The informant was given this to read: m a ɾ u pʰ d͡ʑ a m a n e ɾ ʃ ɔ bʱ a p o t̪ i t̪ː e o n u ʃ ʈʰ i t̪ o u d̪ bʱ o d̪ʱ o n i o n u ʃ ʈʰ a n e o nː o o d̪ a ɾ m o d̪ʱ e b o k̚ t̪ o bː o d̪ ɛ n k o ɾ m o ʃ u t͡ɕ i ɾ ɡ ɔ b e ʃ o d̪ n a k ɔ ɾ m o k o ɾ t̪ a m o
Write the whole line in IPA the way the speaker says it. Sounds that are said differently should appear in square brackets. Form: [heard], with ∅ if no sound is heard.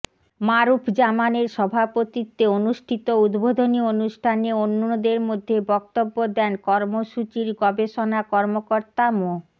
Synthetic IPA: m a ɾ u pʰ d͡ʑ a m a n e ɾ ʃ ɔ bʱ a p o t̪ i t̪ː e o n u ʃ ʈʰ i t̪ o u d̪ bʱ o d̪ʱ o n i o n u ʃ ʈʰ a n e o nː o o d̪ [e] ɾ m o [d̪ʱː] e b [ɔ] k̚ t̪ o bː o d̪ ɛ n k [ɔ] ɾ m o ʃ u t͡ɕ i ɾ ɡ ɔ b e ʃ o [∅] n a k ɔ ɾ m o k o ɾ t̪ a m o